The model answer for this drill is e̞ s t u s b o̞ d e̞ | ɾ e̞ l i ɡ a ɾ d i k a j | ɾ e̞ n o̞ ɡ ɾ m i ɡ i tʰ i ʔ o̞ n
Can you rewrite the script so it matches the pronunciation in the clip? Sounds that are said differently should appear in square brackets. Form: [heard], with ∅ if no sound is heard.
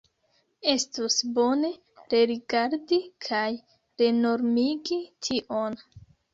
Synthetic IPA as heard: e̞ s t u s b o̞ [n] e̞ | ɾ e̞ [ɾ] i ɡ a ɾ d i [kʰ] a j | ɾ e̞ n o̞ [∅] ɾ m i ɡ i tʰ i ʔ o̞ n